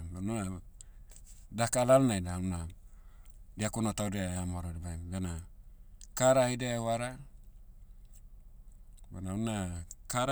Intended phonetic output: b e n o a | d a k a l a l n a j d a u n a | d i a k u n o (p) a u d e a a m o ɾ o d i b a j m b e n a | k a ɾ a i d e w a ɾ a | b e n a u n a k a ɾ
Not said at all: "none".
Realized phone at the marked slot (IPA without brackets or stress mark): t